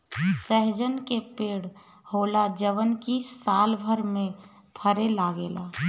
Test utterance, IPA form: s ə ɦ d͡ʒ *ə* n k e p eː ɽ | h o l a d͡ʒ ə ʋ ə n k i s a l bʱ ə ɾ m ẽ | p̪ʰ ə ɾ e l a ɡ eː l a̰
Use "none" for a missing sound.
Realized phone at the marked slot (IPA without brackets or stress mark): ə